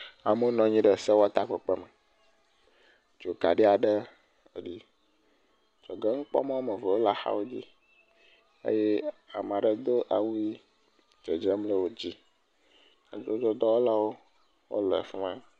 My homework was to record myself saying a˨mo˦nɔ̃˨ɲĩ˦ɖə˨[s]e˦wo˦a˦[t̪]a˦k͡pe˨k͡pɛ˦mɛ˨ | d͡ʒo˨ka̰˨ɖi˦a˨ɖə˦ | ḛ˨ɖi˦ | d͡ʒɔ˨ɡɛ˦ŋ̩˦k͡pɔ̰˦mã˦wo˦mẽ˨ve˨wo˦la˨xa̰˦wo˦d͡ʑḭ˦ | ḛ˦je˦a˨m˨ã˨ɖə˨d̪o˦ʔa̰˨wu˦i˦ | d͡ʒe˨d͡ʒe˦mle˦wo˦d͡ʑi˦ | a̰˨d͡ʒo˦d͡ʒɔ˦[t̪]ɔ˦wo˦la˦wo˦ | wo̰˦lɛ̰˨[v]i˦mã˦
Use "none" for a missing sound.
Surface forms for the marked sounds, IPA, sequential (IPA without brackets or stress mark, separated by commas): s, t̪, d̪, f